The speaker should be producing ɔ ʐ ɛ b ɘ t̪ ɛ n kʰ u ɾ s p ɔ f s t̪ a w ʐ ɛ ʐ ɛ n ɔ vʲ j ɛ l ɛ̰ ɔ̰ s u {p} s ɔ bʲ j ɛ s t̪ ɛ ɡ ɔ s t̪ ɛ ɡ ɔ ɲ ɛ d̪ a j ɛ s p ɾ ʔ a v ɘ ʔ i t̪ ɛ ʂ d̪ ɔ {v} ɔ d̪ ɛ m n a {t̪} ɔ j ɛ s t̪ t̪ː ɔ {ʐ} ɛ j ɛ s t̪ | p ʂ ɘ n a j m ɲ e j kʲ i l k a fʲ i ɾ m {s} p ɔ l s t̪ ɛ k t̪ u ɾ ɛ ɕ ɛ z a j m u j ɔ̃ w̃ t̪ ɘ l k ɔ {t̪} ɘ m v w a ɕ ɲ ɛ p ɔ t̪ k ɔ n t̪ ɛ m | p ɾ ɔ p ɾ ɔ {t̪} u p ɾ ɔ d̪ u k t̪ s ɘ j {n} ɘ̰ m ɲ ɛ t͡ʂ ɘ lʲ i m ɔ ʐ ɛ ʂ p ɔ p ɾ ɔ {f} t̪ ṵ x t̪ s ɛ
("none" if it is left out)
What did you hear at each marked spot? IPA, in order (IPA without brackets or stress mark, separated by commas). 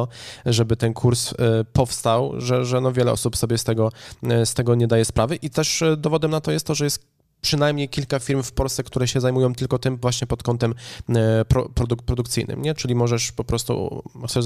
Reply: p, v, t̪, ʐ, f, t̪, d̪, n, s